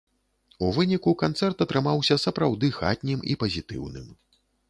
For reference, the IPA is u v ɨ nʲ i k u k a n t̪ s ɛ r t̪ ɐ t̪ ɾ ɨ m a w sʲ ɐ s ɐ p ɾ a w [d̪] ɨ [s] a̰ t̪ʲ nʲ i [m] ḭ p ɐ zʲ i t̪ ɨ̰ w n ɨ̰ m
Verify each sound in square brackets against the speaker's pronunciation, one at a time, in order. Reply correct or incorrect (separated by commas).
correct, incorrect, correct